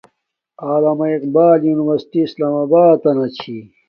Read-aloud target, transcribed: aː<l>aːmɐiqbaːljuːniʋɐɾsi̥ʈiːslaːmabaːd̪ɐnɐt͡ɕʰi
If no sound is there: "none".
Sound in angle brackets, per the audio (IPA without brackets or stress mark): l